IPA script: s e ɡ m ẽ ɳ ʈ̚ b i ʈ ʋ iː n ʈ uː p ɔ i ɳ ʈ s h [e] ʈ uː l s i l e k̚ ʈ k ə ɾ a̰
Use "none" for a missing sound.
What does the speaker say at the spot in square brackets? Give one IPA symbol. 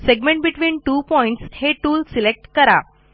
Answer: e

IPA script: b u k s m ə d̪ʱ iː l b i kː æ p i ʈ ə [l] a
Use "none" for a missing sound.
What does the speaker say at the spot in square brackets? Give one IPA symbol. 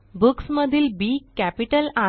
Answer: l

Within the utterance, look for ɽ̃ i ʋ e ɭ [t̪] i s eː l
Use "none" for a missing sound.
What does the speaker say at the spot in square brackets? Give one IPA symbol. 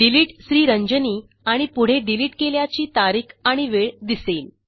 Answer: d̪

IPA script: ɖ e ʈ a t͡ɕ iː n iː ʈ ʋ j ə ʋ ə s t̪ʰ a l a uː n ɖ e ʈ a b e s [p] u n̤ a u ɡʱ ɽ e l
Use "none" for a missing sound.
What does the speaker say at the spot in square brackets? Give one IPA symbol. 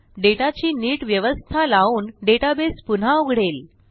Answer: p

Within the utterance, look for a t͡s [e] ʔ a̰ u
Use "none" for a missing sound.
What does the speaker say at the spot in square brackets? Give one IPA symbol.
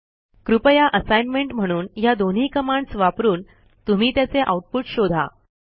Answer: e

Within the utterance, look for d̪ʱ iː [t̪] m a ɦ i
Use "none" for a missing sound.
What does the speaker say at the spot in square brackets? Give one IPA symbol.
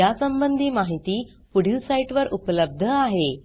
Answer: none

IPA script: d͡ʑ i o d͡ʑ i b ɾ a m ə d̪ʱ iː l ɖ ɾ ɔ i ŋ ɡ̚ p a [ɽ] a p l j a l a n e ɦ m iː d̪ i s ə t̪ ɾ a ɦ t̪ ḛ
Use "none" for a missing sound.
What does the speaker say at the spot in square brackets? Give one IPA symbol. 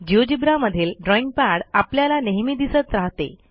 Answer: ɽ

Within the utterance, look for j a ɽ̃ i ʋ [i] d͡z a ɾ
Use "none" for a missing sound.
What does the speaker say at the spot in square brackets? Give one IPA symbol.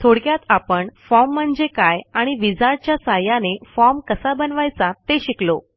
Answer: i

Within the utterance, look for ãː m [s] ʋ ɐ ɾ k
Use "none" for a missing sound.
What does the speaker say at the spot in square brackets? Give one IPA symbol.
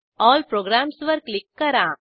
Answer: s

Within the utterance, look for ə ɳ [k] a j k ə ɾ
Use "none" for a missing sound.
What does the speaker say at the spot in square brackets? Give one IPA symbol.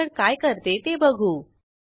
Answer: k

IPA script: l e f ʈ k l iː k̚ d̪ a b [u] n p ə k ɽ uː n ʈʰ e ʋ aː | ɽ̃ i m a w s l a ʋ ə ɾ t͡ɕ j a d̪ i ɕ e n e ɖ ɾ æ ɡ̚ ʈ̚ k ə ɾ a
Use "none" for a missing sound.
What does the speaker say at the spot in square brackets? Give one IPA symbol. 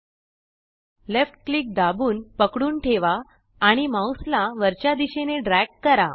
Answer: uː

